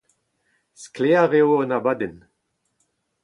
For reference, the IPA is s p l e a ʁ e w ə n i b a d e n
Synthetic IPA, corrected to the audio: s k l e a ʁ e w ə n a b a d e n